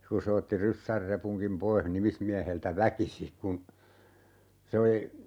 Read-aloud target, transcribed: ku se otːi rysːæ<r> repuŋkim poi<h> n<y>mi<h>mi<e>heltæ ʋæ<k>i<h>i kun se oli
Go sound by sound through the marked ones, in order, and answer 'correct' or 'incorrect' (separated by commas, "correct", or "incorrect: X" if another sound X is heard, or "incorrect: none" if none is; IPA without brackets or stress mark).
correct, correct, incorrect: i, incorrect: s, incorrect: æ, correct, incorrect: s